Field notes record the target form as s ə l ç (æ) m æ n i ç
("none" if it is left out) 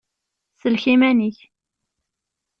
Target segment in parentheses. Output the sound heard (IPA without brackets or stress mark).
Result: i